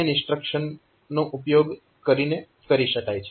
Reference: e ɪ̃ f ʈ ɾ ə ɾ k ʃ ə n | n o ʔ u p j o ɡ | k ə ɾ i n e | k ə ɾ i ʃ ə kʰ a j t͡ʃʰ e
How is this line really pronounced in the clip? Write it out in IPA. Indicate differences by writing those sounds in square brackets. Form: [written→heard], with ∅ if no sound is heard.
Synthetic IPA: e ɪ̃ [f→s] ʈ ɾ ə [ɾ→∅] k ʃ ə n | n o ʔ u p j o ɡ | k ə ɾ i n e | k ə ɾ i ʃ ə [kʰ→k] a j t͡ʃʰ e

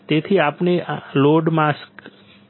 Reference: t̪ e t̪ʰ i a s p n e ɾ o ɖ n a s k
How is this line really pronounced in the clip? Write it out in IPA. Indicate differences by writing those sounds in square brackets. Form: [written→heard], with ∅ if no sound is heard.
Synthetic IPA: t̪ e t̪ʰ i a [s→∅] p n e [ɾ→l] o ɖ [n→m] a s k

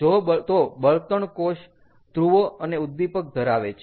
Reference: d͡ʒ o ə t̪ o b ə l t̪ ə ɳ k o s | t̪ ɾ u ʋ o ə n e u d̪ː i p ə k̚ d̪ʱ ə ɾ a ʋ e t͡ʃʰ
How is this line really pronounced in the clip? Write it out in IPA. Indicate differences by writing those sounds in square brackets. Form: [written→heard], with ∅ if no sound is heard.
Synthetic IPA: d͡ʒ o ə t̪ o b ə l t̪ ə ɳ k o [s→ʃ] | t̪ ɾ u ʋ o ə n e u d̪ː i p ə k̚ d̪ʱ ə ɾ a ʋ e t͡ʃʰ

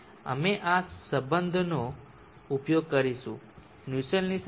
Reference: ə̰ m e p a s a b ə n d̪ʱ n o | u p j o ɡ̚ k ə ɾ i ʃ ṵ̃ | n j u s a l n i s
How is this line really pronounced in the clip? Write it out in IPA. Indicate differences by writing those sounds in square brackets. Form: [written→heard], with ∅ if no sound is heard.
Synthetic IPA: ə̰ m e [p→ʔ] a s [a→ə] b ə n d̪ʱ n o | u p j o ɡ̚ k ə ɾ i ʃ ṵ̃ | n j u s [a→ə] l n i s

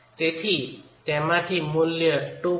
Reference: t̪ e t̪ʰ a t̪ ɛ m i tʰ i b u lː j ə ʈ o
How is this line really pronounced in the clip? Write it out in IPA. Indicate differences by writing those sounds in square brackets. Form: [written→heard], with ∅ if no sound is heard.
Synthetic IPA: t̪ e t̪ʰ [a→i] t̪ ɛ m [i→a] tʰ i [b→m] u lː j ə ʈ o

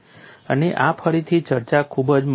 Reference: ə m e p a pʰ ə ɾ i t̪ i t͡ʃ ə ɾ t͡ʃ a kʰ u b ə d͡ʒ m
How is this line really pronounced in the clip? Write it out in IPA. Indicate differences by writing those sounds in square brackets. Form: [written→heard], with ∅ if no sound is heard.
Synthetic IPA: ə [m→n] e [p→ʔ] a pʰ ə ɾ i [t̪→t̪ʰ] i t͡ʃ ə ɾ t͡ʃ a kʰ u b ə d͡ʒ m

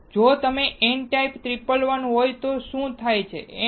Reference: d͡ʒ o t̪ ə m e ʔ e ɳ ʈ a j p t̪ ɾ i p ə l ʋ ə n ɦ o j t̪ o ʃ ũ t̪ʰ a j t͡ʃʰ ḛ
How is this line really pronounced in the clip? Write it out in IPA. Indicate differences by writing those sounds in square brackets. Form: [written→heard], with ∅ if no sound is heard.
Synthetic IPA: d͡ʒ o t̪ ə m e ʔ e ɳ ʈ a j p t̪ ɾ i p ə l ʋ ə n ɦ o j t̪ o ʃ ũ t̪ʰ a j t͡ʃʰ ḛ

